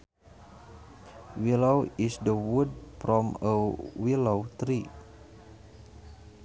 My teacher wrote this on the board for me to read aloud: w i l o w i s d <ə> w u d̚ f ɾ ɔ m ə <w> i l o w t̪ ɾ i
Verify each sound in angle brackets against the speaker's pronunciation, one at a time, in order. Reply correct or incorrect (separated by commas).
correct, correct